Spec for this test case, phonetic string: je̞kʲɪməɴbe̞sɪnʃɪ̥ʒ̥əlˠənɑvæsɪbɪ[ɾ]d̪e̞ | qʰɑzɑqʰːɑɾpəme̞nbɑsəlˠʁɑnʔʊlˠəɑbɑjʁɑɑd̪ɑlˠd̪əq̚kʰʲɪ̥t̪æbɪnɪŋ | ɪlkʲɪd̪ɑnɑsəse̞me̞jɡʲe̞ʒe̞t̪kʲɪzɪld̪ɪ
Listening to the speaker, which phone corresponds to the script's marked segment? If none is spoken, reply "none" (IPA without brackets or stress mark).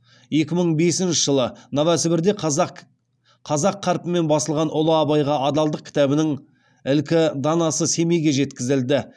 ɾ